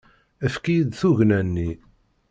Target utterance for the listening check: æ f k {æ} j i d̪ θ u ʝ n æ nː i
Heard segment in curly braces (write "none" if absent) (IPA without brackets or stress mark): i